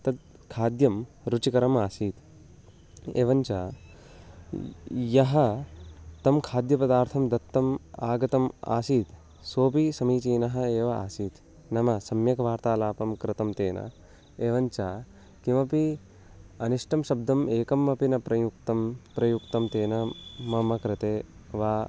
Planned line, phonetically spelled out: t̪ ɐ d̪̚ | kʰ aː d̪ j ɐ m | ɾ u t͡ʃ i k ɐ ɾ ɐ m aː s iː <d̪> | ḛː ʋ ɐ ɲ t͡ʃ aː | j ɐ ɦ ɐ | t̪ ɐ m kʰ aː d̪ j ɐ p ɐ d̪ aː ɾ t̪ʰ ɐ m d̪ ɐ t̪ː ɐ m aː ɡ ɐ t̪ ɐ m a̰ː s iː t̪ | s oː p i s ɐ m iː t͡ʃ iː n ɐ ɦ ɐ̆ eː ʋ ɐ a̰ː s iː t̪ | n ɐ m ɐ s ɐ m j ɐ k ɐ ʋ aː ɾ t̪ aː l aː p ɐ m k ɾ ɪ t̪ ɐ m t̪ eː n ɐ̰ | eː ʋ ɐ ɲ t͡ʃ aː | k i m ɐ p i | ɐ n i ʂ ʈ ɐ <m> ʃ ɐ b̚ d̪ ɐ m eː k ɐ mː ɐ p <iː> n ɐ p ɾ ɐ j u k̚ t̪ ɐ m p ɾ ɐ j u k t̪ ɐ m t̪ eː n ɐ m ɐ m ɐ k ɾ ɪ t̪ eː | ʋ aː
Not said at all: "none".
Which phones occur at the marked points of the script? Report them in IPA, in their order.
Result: t̪, m, i

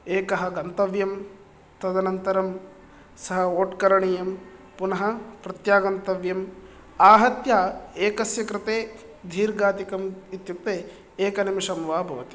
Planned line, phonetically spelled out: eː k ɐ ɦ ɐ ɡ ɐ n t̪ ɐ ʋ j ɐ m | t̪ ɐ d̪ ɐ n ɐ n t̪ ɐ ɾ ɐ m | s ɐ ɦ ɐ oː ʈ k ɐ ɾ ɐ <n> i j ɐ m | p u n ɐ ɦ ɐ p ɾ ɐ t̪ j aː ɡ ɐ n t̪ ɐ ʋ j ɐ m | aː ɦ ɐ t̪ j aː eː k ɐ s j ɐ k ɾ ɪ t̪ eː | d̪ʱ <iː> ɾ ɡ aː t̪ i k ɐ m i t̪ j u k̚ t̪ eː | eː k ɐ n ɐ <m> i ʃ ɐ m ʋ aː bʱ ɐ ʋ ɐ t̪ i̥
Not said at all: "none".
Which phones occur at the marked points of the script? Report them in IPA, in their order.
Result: ɳ, iː, m

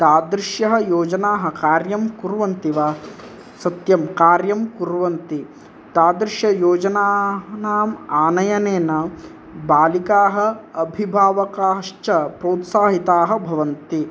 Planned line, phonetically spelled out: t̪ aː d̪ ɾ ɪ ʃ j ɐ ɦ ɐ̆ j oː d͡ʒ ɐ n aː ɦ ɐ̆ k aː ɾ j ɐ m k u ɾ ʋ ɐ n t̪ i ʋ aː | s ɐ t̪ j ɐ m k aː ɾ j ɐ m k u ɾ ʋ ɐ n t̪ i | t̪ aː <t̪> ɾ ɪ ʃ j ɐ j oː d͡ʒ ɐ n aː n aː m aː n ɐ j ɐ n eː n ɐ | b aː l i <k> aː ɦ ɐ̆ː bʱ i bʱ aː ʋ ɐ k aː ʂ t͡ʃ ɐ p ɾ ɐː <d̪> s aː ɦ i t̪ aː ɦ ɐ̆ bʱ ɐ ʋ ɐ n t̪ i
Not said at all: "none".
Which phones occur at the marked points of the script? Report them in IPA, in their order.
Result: d̪, k, t̪

